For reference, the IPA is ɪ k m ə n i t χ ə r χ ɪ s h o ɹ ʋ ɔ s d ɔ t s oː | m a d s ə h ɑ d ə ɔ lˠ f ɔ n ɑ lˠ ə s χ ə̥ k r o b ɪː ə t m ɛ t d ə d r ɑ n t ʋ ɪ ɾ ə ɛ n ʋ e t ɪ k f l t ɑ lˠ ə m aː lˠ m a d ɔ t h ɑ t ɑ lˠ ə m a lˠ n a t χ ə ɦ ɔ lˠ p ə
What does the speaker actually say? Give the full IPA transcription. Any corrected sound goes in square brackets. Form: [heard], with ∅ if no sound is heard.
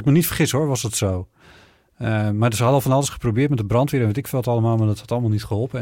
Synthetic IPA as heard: ɪ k m ə n i t [f] ə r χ ɪ s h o ɹ ʋ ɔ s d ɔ t s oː | m a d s ə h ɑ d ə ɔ lˠ f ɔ n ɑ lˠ ə s χ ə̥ [p] r o b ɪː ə t m ɛ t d ə [b] r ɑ n t ʋ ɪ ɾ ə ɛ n ʋ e t ɪ k f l t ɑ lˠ ə m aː lˠ m a d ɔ t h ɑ t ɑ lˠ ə m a lˠ n [i] t χ ə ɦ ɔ lˠ p ə